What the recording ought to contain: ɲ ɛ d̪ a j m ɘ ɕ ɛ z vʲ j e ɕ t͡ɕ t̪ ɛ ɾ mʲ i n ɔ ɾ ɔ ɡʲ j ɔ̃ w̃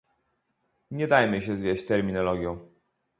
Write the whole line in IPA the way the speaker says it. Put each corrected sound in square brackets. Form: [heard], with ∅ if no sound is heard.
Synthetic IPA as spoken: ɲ ɛ d̪ a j m ɘ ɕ ɛ z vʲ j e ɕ t͡ɕ t̪ ɛ ɾ mʲ i n ɔ [l] ɔ ɡʲ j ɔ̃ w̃